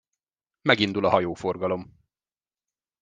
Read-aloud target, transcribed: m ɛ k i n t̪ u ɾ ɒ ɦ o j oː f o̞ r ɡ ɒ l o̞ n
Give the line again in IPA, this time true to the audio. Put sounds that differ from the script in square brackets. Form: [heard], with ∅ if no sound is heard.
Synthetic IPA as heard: m ɛ [ɡ] i n [d̪] u [l] ɒ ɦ [ɒ] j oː f o̞ r ɡ ɒ l o̞ [m]